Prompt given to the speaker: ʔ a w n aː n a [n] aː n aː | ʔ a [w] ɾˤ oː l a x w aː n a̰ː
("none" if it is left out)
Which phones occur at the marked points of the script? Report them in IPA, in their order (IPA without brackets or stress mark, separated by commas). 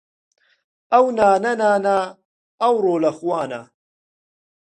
n, w